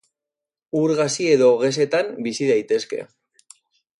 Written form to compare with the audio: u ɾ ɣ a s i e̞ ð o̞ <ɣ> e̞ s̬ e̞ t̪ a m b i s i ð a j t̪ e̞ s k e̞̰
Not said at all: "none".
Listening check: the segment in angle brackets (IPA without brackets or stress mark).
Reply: ɣ